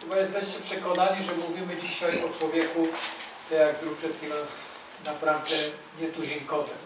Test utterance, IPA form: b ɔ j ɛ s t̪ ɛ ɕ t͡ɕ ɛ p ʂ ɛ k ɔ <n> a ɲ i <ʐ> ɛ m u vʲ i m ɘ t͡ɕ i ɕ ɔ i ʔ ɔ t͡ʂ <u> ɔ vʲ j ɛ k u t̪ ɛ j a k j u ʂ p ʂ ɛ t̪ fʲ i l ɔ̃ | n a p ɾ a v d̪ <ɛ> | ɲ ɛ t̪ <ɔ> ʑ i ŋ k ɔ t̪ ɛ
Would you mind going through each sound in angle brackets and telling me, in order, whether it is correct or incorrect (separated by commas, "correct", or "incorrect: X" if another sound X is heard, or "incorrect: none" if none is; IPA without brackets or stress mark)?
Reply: correct, correct, incorrect: w, correct, incorrect: u